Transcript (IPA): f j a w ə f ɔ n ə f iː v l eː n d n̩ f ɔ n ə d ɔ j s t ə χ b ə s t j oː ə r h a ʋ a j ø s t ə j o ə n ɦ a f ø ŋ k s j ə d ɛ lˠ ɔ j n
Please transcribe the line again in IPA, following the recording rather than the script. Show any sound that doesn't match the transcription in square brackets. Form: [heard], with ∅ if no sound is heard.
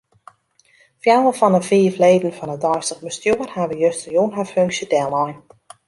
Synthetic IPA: f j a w ə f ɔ n ə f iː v l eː [∅] d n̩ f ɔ n ə d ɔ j s t ə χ b ə s t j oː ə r h a ʋ [ə] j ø s t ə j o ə n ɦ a f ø ŋ k s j ə d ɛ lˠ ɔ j n